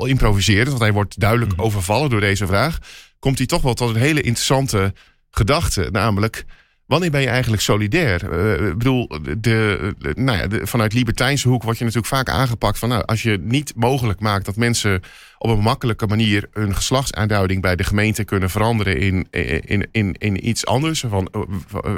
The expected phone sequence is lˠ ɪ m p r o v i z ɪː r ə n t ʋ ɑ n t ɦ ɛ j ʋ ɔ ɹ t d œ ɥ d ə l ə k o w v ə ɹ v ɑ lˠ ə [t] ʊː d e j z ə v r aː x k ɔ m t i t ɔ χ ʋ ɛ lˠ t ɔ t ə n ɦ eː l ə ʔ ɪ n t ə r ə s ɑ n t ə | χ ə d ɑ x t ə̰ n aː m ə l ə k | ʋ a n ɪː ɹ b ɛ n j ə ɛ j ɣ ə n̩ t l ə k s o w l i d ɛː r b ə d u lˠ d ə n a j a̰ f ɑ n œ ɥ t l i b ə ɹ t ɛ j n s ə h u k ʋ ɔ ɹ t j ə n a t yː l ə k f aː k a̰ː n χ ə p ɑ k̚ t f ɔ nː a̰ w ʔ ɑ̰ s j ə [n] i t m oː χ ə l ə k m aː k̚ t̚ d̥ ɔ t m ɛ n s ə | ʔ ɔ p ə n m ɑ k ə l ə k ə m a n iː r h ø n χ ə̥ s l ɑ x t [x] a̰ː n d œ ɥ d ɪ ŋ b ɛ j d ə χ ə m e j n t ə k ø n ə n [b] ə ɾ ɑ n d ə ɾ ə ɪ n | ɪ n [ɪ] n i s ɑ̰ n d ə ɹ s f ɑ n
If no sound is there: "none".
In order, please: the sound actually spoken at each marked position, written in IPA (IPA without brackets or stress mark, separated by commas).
d, n, s, v, ɪ